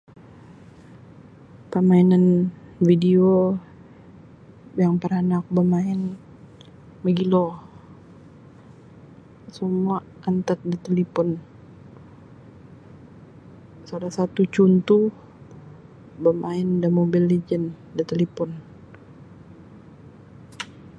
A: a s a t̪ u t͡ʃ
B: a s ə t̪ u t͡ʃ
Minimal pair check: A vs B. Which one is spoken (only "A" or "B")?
A